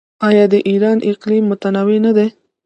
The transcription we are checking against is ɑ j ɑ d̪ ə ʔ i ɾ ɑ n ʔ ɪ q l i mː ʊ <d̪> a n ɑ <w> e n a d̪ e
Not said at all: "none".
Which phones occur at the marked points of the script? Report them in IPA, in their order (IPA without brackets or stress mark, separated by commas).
t̪, w